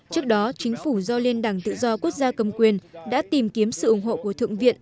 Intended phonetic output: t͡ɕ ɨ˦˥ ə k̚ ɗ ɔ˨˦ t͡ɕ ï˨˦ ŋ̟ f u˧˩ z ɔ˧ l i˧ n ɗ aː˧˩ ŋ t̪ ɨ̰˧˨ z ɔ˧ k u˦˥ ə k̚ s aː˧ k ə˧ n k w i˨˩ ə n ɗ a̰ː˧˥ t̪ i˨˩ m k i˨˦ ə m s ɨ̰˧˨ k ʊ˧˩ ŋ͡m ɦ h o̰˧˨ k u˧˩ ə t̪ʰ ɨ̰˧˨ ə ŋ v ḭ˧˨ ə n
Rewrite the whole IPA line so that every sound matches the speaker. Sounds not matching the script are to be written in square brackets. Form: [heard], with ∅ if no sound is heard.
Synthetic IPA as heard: t͡ɕ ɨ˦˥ ə k̚ ɗ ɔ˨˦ t͡ɕ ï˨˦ ŋ̟ f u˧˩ z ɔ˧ l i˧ n ɗ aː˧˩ ŋ t̪ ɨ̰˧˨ z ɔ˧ k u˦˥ ə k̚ [z] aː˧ k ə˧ [m] k w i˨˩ ə n ɗ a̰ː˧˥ t̪ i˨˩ m k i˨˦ ə m s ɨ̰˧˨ [ʔ] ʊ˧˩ ŋ͡m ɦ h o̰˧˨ k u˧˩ ə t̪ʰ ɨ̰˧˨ ə ŋ v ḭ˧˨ ə n